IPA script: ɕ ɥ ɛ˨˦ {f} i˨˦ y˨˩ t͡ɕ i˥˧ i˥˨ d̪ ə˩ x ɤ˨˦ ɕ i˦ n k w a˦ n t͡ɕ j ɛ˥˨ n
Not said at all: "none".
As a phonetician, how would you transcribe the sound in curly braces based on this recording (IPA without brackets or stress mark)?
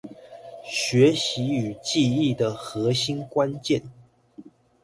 ɕ